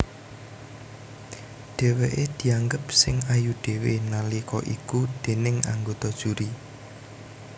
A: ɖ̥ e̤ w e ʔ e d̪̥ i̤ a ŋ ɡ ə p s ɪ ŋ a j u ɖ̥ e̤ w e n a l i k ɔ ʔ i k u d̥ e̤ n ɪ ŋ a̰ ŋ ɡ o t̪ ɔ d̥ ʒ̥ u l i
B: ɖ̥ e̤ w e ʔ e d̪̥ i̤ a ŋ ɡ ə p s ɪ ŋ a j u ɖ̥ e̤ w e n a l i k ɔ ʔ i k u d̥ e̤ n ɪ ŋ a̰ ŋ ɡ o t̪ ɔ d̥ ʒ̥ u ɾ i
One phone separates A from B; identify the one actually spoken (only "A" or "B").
B